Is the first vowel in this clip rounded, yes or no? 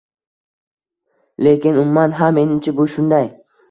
no